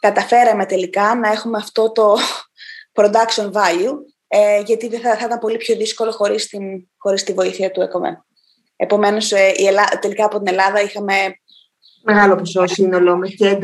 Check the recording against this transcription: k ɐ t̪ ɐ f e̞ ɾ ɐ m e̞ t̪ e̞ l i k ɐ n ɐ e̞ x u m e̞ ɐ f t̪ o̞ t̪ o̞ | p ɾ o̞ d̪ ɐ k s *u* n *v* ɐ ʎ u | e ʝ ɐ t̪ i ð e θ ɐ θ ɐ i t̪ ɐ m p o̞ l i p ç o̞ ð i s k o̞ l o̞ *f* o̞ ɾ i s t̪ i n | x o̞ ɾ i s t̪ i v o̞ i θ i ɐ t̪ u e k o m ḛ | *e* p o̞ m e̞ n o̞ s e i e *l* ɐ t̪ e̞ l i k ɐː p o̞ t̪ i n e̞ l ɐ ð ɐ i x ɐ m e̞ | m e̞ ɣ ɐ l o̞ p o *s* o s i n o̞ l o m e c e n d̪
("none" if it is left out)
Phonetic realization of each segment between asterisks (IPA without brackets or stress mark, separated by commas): o, v, x, e, l, s